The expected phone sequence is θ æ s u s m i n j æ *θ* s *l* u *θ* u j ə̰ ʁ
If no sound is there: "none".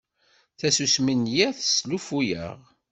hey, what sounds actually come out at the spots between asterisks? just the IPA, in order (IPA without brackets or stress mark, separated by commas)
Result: θ, l, f